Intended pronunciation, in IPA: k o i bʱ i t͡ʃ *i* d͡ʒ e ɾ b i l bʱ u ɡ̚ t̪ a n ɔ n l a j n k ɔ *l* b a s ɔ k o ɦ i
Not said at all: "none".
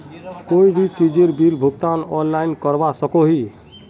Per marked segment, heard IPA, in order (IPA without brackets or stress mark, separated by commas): i, ɾ